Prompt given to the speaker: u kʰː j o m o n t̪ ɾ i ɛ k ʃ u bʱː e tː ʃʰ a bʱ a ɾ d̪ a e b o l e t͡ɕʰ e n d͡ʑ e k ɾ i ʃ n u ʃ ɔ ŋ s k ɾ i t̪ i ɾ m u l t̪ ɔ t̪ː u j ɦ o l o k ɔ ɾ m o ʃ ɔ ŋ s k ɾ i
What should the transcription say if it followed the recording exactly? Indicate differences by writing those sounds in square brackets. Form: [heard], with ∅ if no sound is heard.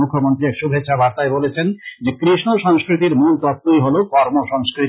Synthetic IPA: u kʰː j o m o n t̪ ɾ i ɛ k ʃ u [bʱ] e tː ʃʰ a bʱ a ɾ [t̪] a e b o l e t͡ɕʰ e n d͡ʑ e k ɾ i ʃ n [o] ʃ ɔ ŋ s k ɾ i t̪ i ɾ m u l t̪ ɔ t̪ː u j ɦ o l o k ɔ ɾ m o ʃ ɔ ŋ s k ɾ i

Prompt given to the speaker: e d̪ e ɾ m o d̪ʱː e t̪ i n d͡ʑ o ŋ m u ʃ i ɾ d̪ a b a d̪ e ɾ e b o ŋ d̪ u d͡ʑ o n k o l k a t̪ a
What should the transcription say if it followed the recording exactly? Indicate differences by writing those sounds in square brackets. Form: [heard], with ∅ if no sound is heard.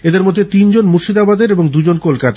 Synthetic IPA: e d̪ e ɾ m o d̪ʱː e t̪ i n d͡ʑ o [n] m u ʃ i [∅] d̪ a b a d̪ e ɾ e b o ŋ d̪ u d͡ʑ o n k o l k a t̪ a

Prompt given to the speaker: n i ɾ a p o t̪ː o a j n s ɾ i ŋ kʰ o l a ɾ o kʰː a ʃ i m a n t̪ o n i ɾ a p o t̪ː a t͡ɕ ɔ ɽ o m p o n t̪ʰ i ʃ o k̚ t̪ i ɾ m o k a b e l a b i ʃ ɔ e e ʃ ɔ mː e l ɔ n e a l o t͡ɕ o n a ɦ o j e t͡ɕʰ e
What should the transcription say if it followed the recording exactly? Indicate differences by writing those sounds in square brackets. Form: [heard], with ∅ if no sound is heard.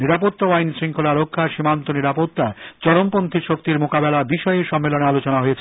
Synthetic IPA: n i ɾ a p o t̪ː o a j n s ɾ i ŋ kʰ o l a ɾ o kʰː a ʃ i m a n t̪ o n i ɾ a p o t̪ː a t͡ɕ ɔ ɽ o m p o n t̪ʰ i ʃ o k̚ t̪ i ɾ m o k a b e l a b i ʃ ɔ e e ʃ ɔ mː e l [o] n e a l o t͡ɕ o n a ɦ o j e t͡ɕʰ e

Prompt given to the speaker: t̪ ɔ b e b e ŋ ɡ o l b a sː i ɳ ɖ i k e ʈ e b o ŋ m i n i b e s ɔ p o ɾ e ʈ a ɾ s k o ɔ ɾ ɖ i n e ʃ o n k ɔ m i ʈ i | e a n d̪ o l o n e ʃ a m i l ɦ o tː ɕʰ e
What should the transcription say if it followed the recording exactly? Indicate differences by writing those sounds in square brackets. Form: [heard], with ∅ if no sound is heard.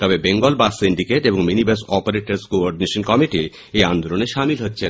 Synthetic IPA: t̪ ɔ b e b e ŋ ɡ o l b a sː i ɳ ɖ i k e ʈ e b o ŋ m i n i b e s ɔ p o ɾ e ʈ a ɾ s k o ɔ ɾ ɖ i n e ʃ o n k ɔ m i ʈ i | e a n d̪ o l o n e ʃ a m i l ɦ o tː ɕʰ e

